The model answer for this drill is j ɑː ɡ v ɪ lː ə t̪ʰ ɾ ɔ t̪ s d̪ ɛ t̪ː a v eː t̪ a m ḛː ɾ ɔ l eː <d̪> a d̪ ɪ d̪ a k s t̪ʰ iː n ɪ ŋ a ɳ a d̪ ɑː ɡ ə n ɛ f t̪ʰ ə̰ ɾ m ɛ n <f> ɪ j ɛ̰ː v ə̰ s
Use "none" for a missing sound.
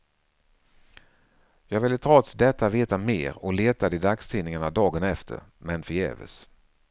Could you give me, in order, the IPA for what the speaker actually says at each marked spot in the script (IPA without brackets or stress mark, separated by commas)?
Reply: t̪, f